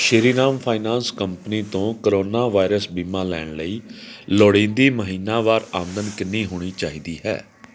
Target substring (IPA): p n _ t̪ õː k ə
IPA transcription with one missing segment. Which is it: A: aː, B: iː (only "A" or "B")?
B